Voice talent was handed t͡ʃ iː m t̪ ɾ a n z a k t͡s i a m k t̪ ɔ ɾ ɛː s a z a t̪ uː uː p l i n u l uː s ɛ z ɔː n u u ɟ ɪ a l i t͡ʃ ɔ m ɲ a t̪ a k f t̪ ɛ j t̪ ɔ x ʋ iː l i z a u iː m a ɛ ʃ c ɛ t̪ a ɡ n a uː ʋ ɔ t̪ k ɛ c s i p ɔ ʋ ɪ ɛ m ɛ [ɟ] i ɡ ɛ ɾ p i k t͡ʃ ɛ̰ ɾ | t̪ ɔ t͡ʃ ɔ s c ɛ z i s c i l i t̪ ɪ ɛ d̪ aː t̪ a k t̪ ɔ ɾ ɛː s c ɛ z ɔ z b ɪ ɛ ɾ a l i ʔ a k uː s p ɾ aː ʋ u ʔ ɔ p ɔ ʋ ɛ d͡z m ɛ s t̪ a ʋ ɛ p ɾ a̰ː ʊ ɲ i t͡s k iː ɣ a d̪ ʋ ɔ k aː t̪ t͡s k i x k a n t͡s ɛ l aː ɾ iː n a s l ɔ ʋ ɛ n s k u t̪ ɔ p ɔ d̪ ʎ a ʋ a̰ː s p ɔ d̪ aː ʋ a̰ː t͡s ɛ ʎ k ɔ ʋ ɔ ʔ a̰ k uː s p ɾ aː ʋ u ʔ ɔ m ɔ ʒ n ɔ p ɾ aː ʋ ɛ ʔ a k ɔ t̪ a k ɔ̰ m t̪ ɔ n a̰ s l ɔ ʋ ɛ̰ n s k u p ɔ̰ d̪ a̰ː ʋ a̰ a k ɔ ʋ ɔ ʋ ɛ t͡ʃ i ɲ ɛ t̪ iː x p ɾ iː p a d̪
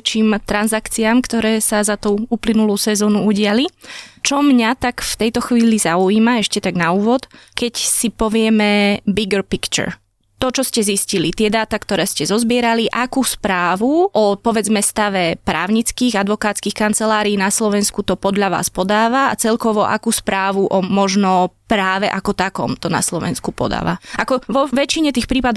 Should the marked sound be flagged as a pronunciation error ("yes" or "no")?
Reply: yes